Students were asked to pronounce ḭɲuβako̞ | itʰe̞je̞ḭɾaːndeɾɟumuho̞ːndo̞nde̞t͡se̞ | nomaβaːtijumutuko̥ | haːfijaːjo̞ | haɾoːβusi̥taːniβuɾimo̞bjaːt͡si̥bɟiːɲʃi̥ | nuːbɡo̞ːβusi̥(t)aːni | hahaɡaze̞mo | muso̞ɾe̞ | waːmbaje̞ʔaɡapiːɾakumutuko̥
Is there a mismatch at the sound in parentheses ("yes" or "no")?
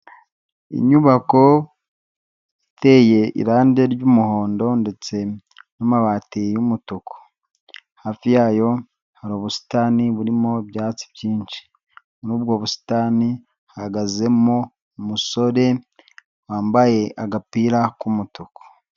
no